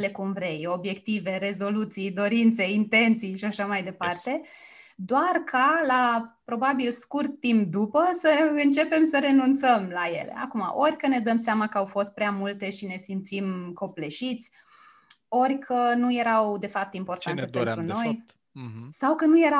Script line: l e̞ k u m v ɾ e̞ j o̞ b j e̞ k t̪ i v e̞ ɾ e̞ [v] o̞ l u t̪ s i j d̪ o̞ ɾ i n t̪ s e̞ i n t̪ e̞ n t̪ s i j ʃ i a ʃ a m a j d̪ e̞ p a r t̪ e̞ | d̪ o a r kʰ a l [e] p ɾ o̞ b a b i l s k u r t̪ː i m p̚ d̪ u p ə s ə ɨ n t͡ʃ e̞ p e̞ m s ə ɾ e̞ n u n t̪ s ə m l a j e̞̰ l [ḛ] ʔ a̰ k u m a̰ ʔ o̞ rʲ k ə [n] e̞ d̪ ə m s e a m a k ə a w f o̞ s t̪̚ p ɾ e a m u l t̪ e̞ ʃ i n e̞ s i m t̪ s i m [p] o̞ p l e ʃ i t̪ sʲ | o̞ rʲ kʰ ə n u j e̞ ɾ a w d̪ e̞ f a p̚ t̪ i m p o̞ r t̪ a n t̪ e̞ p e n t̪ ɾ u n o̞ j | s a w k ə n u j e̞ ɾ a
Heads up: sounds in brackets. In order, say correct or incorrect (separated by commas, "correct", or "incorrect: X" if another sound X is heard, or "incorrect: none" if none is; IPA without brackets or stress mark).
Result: incorrect: z, incorrect: a, correct, correct, incorrect: k